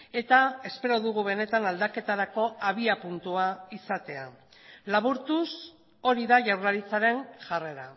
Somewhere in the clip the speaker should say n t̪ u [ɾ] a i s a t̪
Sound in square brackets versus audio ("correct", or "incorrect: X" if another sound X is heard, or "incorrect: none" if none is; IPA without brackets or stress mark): incorrect: none